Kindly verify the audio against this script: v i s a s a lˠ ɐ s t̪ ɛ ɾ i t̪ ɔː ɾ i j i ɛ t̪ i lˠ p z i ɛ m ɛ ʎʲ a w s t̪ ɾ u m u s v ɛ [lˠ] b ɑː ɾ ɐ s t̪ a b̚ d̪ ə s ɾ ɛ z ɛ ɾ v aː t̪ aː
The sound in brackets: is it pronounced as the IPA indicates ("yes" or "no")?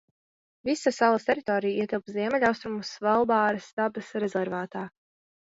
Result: yes